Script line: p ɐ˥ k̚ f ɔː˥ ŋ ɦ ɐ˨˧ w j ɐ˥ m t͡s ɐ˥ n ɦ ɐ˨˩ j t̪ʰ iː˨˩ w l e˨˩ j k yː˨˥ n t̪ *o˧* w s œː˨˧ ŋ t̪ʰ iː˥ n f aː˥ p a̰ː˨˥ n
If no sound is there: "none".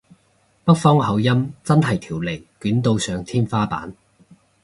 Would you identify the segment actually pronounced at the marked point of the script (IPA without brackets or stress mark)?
o˧